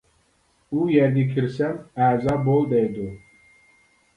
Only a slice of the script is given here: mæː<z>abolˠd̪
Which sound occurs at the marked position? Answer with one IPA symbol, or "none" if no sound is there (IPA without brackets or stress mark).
z